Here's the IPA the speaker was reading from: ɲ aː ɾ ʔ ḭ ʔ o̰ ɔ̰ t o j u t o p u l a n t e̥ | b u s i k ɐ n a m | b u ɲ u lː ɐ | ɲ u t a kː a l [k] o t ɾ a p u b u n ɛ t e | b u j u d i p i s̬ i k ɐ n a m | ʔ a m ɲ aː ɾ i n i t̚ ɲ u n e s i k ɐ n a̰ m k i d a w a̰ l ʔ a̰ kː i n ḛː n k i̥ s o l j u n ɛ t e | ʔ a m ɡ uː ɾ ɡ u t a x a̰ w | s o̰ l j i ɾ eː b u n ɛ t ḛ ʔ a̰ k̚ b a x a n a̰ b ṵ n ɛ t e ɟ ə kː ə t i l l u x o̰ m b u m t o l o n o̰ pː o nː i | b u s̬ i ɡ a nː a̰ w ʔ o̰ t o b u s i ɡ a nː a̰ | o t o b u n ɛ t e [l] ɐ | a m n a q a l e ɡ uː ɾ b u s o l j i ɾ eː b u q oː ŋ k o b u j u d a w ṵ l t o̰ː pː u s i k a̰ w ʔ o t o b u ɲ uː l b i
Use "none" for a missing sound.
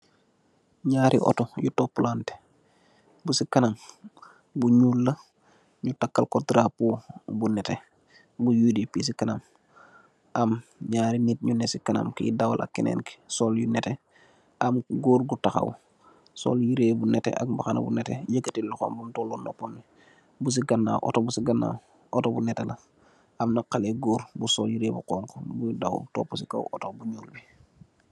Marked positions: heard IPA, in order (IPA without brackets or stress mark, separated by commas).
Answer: k, l